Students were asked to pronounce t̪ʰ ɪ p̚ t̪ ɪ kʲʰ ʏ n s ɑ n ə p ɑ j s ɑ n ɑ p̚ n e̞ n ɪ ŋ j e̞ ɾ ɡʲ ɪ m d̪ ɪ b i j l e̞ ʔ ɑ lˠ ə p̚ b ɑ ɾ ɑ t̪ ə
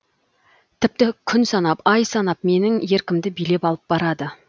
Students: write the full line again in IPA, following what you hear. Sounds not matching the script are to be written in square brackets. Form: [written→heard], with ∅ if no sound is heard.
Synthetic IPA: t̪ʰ ɪ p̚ t̪ ɪ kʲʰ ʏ n s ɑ n [ə→ɑ] p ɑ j s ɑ n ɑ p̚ [n→m] e̞ n ɪ ŋ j e̞ ɾ [ɡʲ→kʲ] ɪ m d̪ ɪ b i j l e̞ [ʔ→p] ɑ lˠ ə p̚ b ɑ ɾ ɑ [t̪→d̪] ə